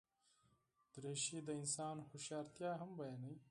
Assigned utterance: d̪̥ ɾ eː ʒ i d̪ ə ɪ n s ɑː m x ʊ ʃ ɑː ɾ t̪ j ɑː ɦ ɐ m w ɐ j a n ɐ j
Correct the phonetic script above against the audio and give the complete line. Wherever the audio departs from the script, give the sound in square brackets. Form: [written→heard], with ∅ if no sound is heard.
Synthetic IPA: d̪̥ ɾ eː [ʒ→ʃ] i d̪ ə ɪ n s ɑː [m→n] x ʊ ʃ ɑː ɾ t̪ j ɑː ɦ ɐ m [w→b] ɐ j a n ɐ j

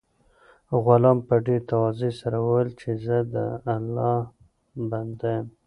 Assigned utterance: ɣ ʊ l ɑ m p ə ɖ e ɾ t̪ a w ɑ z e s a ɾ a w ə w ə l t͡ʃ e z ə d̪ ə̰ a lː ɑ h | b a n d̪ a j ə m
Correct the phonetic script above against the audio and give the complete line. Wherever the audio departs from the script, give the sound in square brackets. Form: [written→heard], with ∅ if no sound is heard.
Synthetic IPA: ɣ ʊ l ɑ m p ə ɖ e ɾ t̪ a w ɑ z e s a ɾ a w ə w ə l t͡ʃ e z ə d̪ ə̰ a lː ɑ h | b a n d̪ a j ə m

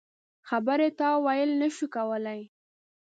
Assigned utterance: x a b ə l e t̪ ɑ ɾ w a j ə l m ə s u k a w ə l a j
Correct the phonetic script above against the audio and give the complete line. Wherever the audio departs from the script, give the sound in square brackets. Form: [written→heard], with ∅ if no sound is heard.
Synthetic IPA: x a b ə [l→ɾ] e t̪ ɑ [ɾ→∅] w a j ə l [m→n] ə [s→ʃ] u k a w ə l a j

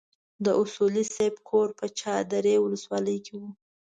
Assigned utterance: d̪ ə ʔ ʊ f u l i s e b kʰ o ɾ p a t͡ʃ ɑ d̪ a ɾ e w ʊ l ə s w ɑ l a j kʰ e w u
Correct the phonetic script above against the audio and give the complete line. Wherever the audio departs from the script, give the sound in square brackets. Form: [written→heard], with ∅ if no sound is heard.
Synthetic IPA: d̪ ə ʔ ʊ [f→s] u l i s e b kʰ o ɾ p [a→ə] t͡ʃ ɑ d̪ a ɾ e w ʊ l ə s w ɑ l [a→ə] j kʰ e w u

